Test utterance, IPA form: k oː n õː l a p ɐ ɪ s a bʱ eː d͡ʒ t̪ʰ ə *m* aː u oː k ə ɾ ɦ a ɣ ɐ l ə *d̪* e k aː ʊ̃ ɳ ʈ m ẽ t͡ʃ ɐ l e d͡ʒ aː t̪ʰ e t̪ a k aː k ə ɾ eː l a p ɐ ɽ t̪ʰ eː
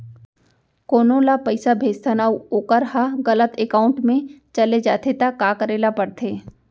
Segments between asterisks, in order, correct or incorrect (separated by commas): incorrect, incorrect